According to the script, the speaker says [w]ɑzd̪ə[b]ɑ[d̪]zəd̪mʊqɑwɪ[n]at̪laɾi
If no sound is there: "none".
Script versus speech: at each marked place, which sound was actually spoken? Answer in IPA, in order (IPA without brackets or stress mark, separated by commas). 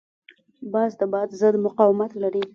b, b, d̪, m